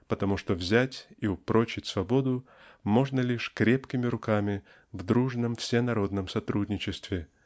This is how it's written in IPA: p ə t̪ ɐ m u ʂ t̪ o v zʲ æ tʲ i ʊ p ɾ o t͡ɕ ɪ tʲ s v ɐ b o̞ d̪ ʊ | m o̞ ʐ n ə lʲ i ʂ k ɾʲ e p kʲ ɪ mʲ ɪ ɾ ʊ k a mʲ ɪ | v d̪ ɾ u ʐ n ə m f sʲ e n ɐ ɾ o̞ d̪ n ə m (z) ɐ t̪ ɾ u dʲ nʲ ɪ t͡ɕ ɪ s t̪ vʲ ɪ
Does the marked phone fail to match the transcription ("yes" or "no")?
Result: yes